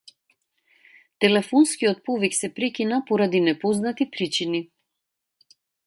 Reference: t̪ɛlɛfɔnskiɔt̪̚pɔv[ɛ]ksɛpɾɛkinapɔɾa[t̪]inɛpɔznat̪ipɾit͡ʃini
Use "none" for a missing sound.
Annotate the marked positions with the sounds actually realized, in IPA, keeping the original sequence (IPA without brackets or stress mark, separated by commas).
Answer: i, d̪